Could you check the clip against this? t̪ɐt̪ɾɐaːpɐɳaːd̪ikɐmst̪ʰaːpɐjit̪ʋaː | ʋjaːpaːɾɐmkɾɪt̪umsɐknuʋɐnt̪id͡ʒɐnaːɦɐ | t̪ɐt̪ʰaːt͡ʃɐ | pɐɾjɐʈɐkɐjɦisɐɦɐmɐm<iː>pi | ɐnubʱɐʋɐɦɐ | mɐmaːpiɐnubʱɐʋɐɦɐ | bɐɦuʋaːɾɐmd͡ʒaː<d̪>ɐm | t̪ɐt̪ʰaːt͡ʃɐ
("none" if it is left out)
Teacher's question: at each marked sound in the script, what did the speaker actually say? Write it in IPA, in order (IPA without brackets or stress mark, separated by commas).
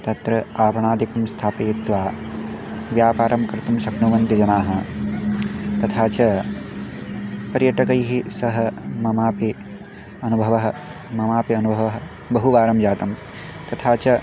aː, t̪